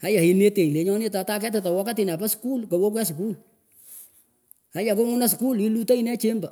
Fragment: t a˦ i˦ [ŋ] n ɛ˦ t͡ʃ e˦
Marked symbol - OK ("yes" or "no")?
no